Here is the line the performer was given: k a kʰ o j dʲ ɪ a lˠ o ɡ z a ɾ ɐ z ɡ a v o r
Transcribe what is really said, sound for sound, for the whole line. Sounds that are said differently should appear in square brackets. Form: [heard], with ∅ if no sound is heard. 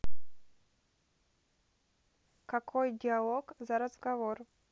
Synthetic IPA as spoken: k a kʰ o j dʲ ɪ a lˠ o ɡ z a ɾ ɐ z ɡ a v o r